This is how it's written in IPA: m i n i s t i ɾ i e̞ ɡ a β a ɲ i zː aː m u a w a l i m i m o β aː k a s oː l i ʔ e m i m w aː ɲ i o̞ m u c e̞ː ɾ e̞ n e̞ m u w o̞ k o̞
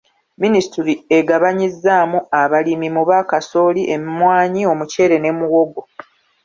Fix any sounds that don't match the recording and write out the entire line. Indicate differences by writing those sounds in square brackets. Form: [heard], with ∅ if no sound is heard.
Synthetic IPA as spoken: m i n i s t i ɾ i e̞ ɡ a β a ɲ i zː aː m u a [β] a l i m i m [u] β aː k a s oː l i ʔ e m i m w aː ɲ i o̞ m u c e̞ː ɾ e̞ n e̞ m u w o̞ [ɡ] o̞